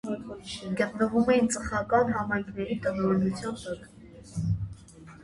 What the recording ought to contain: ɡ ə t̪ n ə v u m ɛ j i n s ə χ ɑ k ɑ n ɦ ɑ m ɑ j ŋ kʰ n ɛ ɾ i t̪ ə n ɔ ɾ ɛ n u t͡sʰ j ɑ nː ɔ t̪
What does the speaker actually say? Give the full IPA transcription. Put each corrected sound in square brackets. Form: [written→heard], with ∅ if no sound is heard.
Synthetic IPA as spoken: ɡ ə t̪ n ə v u m ɛ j i n [s→t͡s] ə χ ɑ k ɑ n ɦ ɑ m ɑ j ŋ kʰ n ɛ ɾ i t̪ ə n ɔ ɾ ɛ n u t͡sʰ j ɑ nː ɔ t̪